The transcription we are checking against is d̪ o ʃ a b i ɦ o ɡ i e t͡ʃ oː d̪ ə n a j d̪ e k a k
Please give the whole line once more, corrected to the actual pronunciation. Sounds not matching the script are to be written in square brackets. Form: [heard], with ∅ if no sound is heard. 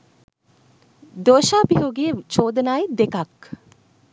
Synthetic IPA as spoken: d̪ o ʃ a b i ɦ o ɡ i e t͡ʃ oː d̪ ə n a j d̪ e k a k